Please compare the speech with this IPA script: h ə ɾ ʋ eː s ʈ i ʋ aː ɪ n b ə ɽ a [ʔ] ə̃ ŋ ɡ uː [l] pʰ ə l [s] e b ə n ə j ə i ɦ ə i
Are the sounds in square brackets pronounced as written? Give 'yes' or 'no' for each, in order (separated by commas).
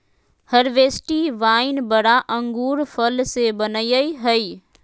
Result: yes, no, yes